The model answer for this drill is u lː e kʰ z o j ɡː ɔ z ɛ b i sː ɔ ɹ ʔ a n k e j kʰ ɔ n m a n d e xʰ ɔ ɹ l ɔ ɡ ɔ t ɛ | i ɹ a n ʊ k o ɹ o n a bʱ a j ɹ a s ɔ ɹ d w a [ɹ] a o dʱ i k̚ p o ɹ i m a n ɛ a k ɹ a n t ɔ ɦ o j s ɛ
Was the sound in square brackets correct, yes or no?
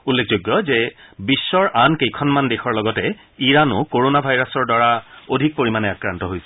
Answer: yes